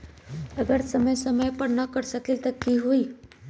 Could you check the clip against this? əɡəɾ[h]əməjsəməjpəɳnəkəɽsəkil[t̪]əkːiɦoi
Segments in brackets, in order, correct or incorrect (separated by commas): incorrect, correct